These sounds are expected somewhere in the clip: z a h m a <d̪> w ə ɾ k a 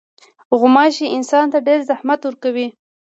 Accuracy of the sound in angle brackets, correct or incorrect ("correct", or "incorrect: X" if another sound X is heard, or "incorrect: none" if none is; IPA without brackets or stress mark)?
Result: incorrect: t̪